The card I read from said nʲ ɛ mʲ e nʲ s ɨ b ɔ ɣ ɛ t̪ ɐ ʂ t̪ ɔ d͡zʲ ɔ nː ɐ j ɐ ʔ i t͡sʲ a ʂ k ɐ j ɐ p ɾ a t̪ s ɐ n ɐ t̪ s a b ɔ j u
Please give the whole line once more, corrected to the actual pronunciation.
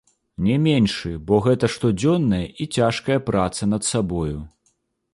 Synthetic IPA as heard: nʲ ɛ mʲ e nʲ ʂ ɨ b ɔ ɣ ɛ t̪ ɐ ʂ t̪ ɔ d͡zʲ ɔ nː ɐ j ɐ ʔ i t͡sʲ a ʂ k ɐ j ɐ p ɾ a t̪ s ɐ n ɐ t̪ s a b ɔ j u